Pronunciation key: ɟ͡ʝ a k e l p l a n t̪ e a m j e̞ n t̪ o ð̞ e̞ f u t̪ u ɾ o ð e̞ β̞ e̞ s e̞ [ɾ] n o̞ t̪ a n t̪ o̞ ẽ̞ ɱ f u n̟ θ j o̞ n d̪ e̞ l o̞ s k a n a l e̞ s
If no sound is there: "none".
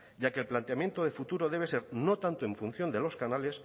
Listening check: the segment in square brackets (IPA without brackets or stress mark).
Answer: ɾ